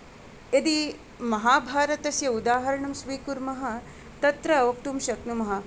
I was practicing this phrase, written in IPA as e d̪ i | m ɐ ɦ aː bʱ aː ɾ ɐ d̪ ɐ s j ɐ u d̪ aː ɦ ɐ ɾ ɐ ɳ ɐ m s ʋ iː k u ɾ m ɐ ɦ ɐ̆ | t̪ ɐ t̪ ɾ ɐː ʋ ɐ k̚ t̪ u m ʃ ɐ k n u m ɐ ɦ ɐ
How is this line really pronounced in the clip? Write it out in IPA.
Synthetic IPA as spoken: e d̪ i | m ɐ ɦ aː bʱ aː ɾ ɐ t̪ ɐ s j ɐ u d̪ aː ɦ ɐ ɾ ɐ ɳ ɐ m s ʋ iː k u ɾ m ɐ ɦ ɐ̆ | t̪ ɐ t̪ ɾ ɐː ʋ ɐ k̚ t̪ u m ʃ ɐ k n u m ɐ ɦ ɐ